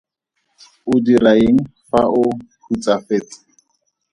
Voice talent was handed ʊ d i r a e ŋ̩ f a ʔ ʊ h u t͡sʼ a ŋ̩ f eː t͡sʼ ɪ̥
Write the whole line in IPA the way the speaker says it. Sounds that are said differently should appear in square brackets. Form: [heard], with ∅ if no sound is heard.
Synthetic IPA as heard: ʊ d i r a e ŋ̩ f a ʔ ʊ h u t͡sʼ a [∅] f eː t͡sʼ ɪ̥